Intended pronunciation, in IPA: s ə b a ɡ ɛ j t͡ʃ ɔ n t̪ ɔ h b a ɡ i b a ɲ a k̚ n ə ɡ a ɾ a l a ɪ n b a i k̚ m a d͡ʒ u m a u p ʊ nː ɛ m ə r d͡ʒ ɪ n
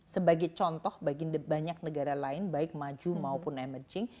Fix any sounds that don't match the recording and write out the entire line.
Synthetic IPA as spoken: s ə b a ɡ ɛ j t͡ʃ ɔ n t̪ ɔ h b a ɡ i b a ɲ a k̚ n ə ɡ a ɾ a l a ɪ n b a ɪ k̚ m a d͡ʒ u m a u p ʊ n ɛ m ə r d͡ʒ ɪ ŋ